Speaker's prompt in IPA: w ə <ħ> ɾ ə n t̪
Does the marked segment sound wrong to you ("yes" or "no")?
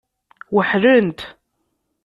no